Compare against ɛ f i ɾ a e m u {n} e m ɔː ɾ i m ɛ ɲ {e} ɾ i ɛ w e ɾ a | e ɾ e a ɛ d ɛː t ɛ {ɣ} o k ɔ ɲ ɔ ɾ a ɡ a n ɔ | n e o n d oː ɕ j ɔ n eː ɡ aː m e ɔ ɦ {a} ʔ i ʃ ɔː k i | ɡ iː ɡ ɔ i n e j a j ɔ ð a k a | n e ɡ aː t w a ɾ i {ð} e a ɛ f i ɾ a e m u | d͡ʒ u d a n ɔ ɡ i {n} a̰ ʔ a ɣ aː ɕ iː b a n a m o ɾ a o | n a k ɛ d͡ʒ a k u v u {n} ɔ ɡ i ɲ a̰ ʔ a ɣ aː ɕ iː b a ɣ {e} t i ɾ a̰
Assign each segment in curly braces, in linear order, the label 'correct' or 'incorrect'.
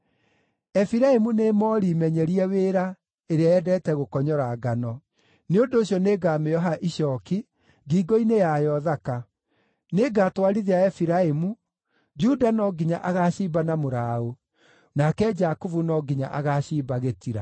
correct, incorrect: ɛ, correct, correct, correct, incorrect: ɲ, correct, correct

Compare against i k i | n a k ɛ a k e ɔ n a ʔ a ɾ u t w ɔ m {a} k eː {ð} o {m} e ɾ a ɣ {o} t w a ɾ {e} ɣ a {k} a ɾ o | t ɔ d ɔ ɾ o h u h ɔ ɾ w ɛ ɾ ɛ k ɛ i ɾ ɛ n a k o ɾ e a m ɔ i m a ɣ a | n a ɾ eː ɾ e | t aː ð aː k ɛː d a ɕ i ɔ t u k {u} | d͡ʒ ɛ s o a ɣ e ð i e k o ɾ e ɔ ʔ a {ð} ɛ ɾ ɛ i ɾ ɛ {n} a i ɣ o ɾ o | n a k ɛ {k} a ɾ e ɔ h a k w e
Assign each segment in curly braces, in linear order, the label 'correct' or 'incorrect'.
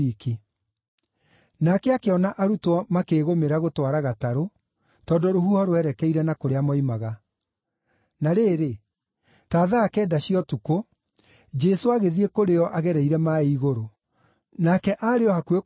correct, incorrect: ɣ, correct, correct, incorrect: a, incorrect: t, incorrect: o, incorrect: ɣ, incorrect: m, incorrect: ʔ

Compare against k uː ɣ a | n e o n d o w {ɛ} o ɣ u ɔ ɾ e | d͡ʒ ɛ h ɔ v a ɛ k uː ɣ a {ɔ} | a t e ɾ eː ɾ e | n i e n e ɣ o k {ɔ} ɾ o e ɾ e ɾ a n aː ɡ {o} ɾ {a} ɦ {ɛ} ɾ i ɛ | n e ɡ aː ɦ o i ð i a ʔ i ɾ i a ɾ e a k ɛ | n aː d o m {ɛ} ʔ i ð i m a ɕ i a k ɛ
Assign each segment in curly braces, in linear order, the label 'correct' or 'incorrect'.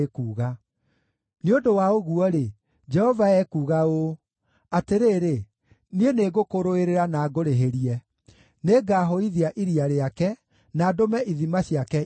incorrect: a, incorrect: o, incorrect: o, correct, incorrect: e, incorrect: e, correct

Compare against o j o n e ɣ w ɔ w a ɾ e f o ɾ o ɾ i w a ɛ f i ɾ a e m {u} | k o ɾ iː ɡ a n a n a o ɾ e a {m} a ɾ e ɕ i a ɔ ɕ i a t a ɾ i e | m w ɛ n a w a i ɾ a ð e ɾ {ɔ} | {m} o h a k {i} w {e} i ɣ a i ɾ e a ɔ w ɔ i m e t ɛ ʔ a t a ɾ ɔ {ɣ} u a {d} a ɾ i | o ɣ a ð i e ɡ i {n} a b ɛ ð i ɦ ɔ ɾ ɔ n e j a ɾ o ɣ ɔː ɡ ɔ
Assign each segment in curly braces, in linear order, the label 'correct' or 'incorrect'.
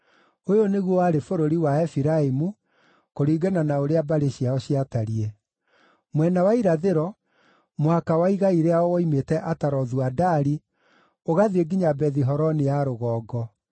correct, incorrect: b, correct, correct, incorrect: a, incorrect: a, incorrect: ð, correct, incorrect: ɲ

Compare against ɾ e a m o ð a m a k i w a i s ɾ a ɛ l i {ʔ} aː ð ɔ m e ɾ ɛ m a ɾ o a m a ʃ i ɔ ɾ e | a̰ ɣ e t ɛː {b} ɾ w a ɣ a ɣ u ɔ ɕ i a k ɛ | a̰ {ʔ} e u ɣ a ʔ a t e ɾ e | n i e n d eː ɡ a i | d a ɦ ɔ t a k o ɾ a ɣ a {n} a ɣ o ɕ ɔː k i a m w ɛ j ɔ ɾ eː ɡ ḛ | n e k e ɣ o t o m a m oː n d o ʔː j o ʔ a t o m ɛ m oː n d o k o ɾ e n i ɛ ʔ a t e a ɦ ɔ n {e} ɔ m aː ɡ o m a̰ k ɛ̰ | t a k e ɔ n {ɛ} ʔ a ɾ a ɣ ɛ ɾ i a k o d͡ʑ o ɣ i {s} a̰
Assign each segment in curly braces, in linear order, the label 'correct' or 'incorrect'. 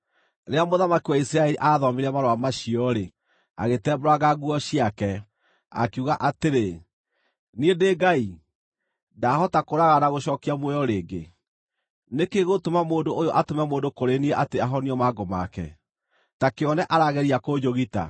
correct, correct, incorrect: k, correct, incorrect: i, correct, incorrect: t

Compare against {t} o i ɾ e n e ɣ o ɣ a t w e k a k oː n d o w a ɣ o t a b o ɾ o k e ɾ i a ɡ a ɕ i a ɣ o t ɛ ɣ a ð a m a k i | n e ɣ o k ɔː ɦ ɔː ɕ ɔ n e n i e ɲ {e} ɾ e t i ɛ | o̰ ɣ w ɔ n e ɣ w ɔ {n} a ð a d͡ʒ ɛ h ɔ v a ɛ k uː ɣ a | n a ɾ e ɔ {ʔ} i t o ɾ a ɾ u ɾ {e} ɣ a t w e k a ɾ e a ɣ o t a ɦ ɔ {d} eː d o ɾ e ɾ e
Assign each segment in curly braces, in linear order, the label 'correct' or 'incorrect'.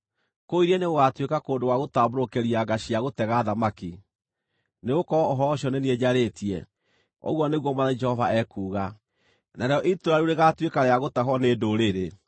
incorrect: k, incorrect: a, incorrect: m, correct, correct, incorrect: n

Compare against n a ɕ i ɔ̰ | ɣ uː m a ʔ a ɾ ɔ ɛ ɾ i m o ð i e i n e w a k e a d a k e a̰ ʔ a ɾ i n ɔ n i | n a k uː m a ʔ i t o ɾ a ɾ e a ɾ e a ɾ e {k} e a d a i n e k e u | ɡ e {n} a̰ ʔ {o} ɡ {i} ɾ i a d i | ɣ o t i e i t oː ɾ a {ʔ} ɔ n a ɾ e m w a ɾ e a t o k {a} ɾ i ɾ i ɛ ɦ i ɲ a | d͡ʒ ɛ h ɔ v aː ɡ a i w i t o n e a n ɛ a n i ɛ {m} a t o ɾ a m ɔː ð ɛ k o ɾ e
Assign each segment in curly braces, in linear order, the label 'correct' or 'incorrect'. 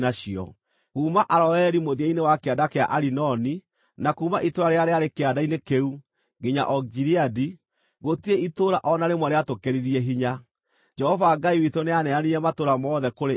correct, incorrect: ɲ, incorrect: ɔ, correct, correct, incorrect: e, correct

